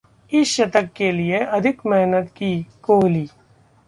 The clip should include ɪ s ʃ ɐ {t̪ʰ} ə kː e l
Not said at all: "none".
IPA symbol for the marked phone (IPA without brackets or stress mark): t̪